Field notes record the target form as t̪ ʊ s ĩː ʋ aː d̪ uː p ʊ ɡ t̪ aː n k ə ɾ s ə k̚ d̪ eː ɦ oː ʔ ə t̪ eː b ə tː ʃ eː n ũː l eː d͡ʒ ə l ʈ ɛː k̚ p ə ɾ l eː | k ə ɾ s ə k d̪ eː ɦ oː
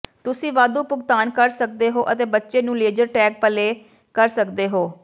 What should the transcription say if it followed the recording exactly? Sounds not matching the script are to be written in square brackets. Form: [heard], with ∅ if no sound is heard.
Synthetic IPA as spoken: t̪ ʊ s ĩː ʋ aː d̪ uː p ʊ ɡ t̪ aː n k ə ɾ s ə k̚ d̪ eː ɦ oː ʔ ə t̪ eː b ə tː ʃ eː n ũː l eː d͡ʒ ə [ɾ] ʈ ɛː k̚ p ə [∅] l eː | k ə ɾ s ə k d̪ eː ɦ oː